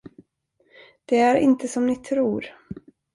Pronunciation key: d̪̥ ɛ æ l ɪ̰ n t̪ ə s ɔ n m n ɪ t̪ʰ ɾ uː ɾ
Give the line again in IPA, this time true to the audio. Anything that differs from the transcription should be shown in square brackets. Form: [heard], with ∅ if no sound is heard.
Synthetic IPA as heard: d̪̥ ɛ æ [ɾ] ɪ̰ n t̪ ə s ɔ [∅] m n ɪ t̪ʰ ɾ uː ɾ

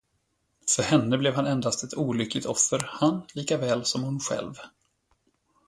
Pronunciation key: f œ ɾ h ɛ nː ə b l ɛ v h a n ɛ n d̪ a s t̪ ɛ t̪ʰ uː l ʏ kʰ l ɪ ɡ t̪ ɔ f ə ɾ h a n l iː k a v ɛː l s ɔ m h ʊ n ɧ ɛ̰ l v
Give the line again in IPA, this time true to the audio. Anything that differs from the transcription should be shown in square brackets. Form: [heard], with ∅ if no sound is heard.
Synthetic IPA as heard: f œ ɾ h ɛ nː ə b l ɛ v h a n ɛ n d̪ a s t̪ ɛ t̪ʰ uː l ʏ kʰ l ɪ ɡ t̪ ɔ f ə ɾ h a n l iː k a v ɛː l s ɔ m h ʊ n ɧ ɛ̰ l v

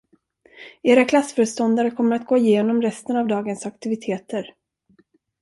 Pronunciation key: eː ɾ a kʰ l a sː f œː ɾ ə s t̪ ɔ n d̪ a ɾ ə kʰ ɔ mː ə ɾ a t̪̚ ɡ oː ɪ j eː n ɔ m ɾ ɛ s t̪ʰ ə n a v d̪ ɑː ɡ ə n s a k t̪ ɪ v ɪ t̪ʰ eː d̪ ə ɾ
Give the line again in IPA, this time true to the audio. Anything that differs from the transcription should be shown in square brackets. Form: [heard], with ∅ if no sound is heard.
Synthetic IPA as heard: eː ɾ a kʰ l a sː f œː ɾ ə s t̪ ɔ n d̪ a ɾ ə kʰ ɔ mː ə ɾ a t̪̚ ɡ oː ɪ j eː n ɔ m ɾ ɛ s [t̪] ə n a v d̪ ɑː ɡ ə n s a k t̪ ɪ v ɪ t̪ʰ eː [t̪] ə ɾ

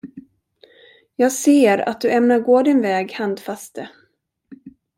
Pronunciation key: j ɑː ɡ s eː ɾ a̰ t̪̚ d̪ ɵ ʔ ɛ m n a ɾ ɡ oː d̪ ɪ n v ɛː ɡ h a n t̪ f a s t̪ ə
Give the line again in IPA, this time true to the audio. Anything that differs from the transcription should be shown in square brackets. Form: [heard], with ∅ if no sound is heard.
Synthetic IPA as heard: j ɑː ɡ s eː ɾ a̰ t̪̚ d̪ ɵ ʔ ɛ m n a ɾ ɡ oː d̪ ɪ n v ɛː ɡ h a n [d̪] f a s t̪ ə

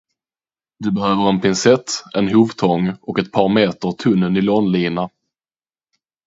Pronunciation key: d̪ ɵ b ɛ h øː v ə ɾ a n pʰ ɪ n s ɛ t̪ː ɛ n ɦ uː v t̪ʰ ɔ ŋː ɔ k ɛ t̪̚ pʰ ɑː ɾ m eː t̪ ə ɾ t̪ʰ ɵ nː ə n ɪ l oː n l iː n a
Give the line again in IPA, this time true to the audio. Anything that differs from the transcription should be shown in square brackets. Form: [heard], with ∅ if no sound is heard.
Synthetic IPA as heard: d̪ ɵ b ɛ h øː v ə ɾ [ɛ] n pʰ ɪ n s ɛ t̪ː ɛ n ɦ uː v t̪ʰ ɔ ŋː ɔ k ɛ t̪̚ pʰ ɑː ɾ m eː t̪ ə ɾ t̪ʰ ɵ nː ə n ɪ l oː n l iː n a

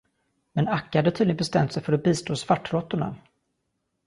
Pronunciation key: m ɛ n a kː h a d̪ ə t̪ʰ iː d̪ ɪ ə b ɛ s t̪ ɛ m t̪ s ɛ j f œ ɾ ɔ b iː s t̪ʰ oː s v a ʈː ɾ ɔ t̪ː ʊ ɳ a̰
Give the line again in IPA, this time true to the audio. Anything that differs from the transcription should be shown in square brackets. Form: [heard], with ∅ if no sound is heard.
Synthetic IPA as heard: m ɛ n a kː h a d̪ ə t̪ʰ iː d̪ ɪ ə b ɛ s t̪ ɛ m t̪ s ɛ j f œ ɾ ɔ b iː s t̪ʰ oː s v a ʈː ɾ ɔ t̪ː ʊ ɳ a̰

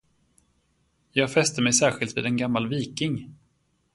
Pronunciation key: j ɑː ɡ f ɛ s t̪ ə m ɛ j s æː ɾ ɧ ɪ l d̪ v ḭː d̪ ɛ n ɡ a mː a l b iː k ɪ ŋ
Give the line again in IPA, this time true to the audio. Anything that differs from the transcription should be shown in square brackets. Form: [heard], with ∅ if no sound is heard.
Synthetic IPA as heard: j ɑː ɡ f ɛ s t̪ ə m ɛ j s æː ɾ ɧ ɪ l [t̪] v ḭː d̪ ɛ n ɡ a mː a l [v] iː k ɪ ŋ

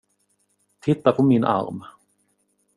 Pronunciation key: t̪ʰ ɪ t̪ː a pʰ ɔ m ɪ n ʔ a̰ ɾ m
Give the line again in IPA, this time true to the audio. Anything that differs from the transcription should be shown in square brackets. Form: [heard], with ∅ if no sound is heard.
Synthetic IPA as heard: t̪ʰ ɪ t̪ː a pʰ ɔ m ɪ n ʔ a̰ ɾ m

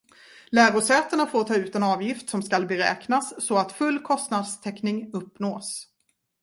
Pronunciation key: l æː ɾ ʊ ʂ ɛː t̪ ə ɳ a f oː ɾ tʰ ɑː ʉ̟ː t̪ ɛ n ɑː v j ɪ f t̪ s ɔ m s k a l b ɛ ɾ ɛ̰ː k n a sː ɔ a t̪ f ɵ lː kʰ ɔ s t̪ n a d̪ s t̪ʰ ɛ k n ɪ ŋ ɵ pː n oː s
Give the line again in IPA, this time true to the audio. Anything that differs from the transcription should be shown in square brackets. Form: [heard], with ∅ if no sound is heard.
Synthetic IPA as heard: l æː ɾ ʊ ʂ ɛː t̪ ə ɳ a f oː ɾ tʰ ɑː ʉ̟ː t̪ ɛ n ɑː v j ɪ f t̪ s ɔ m s k a l b ɛ ɾ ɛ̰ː k n a sː ɔ a t̪ f ɵ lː kʰ ɔ s t̪ n a d̪ s t̪ʰ ɛ k n ɪ ŋ ɵ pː n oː s

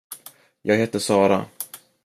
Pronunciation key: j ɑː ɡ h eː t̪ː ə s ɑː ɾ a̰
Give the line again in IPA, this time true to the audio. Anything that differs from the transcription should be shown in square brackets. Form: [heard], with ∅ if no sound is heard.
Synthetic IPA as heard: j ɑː ɡ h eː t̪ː ə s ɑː ɾ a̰

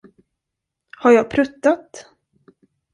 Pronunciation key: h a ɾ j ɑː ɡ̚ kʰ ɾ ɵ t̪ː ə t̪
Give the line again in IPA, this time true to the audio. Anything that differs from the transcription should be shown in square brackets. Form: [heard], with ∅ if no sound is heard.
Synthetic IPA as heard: h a ɾ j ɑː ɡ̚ [pʰ] ɾ ɵ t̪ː [a] t̪

